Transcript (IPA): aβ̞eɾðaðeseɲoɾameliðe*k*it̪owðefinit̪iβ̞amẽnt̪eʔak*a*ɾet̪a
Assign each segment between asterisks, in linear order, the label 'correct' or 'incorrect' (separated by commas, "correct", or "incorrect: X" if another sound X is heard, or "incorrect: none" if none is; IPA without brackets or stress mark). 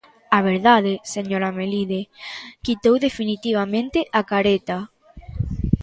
correct, correct